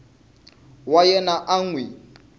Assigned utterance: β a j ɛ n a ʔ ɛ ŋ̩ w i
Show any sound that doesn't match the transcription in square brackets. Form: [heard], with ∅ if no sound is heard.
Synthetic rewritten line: [w] a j ɛ n a ʔ [a] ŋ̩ w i